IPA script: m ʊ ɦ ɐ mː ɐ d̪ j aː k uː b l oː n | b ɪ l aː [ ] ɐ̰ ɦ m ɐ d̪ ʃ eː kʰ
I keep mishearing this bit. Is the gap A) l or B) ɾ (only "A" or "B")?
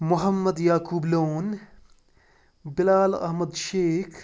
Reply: A